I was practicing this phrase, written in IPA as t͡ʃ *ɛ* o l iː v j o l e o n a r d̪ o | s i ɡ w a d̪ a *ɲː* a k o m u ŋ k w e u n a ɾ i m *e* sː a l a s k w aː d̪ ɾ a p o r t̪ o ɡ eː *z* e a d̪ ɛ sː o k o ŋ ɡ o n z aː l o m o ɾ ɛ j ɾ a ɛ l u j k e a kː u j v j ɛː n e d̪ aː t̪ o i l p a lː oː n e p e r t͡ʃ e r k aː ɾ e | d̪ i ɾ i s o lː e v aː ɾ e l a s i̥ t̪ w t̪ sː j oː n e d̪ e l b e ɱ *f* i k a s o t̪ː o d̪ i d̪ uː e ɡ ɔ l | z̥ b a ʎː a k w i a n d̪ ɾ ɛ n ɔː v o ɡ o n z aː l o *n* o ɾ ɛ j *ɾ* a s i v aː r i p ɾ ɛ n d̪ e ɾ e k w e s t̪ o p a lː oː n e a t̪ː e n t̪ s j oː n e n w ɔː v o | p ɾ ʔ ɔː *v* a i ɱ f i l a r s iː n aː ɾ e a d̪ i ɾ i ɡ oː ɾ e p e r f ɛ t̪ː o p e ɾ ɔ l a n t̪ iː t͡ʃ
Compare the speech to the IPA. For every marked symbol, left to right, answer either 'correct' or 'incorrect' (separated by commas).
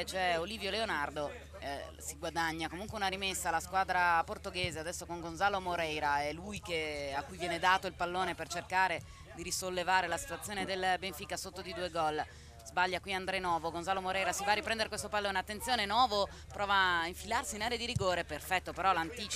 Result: correct, correct, correct, correct, correct, incorrect, correct, correct